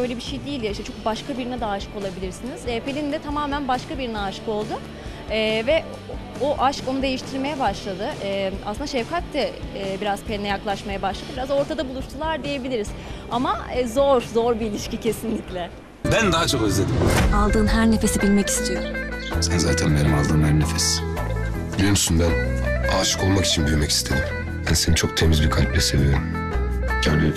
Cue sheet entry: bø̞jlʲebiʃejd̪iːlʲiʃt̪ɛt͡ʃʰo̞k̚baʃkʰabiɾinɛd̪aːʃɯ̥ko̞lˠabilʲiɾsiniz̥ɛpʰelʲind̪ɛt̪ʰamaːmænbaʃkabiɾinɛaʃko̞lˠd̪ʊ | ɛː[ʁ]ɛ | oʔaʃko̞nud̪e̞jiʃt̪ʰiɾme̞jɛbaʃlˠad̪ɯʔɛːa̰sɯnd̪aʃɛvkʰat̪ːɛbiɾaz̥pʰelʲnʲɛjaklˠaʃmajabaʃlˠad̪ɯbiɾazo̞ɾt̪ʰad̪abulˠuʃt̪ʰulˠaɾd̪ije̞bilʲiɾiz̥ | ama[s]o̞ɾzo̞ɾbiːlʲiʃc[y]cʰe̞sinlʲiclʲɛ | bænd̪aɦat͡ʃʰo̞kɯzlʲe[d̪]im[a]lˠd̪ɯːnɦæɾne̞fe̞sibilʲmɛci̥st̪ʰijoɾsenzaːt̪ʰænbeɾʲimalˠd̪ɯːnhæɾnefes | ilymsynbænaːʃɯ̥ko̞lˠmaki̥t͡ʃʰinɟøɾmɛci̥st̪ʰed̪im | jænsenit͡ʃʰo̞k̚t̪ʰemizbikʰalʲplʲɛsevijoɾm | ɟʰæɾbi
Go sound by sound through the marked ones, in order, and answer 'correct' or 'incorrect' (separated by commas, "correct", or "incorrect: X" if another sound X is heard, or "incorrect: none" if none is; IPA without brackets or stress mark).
incorrect: v, incorrect: z, incorrect: i, correct, correct